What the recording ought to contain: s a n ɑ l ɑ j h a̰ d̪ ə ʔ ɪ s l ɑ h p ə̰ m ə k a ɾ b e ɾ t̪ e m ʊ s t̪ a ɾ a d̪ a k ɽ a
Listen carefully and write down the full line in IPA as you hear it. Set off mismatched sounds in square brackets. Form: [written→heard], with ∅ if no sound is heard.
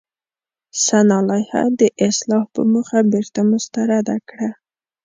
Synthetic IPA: s a n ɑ l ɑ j h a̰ d̪ ə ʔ ɪ s l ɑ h p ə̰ m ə [k→x] a [ɾ→∅] b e ɾ t̪ [e→a] m ʊ s t̪ a ɾ a d̪ a k ɽ a